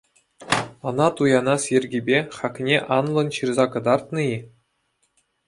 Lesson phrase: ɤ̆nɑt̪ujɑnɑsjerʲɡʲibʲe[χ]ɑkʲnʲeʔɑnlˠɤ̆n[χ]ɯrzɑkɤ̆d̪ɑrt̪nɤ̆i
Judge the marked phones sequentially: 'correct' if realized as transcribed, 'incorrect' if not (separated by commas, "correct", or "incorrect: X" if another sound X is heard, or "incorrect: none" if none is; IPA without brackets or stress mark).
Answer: correct, incorrect: ɕ